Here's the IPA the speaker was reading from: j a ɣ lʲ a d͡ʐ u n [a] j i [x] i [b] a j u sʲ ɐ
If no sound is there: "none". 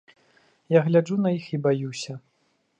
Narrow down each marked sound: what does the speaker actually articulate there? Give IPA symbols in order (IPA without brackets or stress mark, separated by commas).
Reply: ɐ, x, b